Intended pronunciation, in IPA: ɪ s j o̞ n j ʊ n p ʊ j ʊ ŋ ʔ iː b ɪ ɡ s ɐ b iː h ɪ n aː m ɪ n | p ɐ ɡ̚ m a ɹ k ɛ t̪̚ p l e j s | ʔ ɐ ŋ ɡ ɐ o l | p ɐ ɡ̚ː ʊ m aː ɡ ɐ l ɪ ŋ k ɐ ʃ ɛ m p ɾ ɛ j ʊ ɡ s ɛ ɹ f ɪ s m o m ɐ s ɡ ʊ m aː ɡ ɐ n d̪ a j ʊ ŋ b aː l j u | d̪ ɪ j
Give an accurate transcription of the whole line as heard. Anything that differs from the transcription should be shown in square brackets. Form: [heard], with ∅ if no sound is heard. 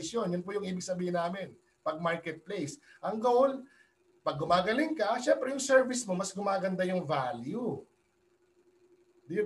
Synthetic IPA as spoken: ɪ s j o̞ n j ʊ n p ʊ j ʊ ŋ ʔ iː b ɪ ɡ s ɐ b iː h ɪ n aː m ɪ n | p ɐ ɡ̚ m a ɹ k ɛ t̪̚ p l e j s | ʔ ɐ ŋ ɡ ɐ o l | p ɐ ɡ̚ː ʊ m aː ɡ ɐ l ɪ ŋ k ɐ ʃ ɛ m p ɾ ɛ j ʊ [ŋ] s ɛ ɹ [v] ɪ s m o m ɐ s ɡ ʊ m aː ɡ ɐ n d̪ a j ʊ ŋ [v] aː l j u | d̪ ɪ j